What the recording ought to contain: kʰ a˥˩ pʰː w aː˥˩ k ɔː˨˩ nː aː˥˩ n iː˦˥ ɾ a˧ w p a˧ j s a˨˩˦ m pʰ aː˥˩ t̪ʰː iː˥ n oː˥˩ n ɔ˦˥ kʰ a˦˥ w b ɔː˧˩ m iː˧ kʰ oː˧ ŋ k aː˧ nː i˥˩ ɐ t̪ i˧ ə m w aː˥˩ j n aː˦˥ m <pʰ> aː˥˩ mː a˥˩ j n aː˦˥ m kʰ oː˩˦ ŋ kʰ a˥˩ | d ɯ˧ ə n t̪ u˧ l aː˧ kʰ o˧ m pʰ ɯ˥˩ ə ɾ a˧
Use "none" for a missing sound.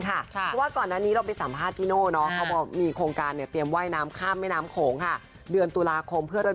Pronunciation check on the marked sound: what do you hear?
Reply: kʰ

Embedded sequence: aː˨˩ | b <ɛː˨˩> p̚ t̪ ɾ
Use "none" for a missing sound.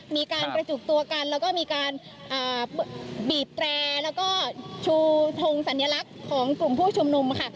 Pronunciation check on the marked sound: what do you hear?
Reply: iː˨˩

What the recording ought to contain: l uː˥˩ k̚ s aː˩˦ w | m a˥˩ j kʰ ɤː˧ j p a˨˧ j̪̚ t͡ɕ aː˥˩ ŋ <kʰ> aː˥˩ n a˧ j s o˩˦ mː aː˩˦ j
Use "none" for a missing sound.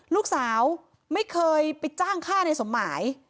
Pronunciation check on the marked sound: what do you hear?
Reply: kʰ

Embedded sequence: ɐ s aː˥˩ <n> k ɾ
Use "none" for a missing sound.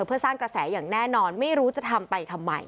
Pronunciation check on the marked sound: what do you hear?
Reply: ŋ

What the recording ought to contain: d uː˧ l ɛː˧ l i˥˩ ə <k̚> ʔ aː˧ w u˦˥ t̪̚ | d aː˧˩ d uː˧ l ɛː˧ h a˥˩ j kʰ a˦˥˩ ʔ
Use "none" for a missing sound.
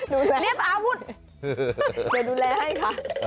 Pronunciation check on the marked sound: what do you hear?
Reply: p̚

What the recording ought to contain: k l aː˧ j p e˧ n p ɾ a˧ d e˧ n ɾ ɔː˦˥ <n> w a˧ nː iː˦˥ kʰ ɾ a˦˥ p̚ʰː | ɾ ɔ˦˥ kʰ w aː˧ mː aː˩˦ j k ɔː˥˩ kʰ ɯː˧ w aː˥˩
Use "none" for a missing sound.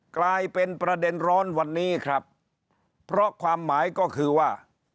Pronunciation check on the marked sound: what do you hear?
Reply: n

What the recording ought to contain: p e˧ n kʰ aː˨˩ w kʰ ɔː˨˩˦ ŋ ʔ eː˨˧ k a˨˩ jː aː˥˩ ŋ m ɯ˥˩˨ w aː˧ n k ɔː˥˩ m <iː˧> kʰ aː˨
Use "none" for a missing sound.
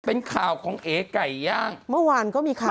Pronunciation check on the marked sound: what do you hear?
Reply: iː˧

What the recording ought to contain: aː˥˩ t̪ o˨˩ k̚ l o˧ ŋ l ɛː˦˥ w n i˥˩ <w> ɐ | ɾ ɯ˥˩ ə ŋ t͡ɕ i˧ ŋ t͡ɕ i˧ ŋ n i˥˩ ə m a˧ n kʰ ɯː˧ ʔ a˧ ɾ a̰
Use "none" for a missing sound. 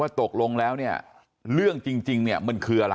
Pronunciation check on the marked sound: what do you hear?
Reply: none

